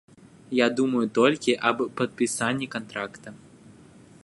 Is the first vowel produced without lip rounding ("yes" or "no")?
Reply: yes